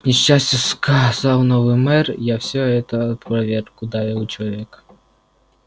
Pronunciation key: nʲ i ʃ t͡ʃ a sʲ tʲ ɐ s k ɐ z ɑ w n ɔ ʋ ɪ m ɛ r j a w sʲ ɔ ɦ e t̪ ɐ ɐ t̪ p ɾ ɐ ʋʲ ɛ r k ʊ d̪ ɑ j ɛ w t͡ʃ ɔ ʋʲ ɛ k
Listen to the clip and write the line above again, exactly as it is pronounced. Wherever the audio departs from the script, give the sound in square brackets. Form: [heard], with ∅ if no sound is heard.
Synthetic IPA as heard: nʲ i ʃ t͡ʃ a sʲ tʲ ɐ s k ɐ z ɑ w n ɔ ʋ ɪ m ɛ r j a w sʲ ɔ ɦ [ɛ] t̪ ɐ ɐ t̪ p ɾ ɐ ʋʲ ɛ r k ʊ d̪ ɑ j ɛ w t͡ʃ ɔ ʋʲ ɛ k